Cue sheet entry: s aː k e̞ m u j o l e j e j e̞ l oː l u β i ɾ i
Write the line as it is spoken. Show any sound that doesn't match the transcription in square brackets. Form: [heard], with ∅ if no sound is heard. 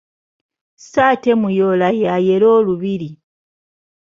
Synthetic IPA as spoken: s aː [t] e̞ m u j o l [a] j [a] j e̞ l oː l u β i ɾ i